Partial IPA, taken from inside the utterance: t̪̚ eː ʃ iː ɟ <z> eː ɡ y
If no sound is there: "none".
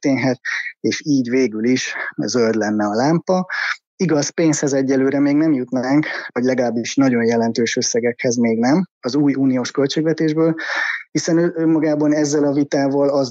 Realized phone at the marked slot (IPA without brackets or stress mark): v